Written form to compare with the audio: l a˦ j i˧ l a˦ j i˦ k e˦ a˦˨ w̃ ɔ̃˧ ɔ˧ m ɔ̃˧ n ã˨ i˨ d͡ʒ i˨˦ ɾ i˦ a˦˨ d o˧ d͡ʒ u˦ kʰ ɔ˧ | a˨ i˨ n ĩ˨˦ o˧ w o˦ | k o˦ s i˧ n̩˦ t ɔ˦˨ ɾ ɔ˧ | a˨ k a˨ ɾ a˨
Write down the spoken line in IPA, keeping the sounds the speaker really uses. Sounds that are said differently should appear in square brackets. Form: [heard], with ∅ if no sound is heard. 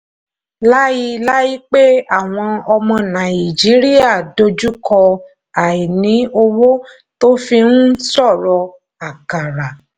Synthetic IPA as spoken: l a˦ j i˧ l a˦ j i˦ [k͡p] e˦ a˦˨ w̃ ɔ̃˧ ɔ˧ m ɔ̃˧ n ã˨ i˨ d͡ʒ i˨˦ ɾ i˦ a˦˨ d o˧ d͡ʒ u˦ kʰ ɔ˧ | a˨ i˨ n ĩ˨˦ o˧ w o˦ | [t] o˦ [f] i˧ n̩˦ [s] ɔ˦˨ ɾ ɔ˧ | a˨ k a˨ ɾ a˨